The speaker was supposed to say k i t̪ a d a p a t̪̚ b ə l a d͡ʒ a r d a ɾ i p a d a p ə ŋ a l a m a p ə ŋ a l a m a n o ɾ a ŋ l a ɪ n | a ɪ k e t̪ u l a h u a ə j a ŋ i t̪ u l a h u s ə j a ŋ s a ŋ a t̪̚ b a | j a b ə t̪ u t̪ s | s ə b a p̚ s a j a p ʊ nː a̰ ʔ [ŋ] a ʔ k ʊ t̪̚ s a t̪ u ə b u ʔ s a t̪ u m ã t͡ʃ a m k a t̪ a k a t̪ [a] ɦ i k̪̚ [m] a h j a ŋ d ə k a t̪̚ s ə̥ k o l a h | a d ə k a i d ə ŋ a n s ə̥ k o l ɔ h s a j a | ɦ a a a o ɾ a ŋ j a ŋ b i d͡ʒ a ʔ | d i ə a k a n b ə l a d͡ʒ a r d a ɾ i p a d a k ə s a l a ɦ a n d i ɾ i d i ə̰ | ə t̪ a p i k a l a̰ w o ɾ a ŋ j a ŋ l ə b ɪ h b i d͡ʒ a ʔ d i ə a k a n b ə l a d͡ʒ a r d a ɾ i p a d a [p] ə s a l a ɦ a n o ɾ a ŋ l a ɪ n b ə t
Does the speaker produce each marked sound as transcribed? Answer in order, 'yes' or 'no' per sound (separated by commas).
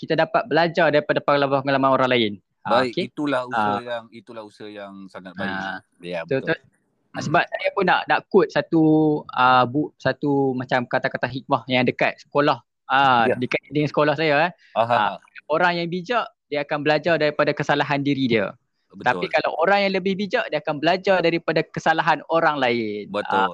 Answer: no, yes, yes, no